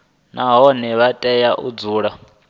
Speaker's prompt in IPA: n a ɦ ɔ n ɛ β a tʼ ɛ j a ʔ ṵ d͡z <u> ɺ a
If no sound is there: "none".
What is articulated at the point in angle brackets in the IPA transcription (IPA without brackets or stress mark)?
uː